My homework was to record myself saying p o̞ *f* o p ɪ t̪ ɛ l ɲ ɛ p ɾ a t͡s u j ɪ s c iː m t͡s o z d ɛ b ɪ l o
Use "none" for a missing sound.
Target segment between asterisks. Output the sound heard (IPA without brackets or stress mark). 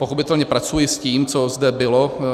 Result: x